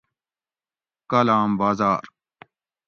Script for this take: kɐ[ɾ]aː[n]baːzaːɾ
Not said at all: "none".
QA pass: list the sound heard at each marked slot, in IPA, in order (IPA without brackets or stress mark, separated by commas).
l, m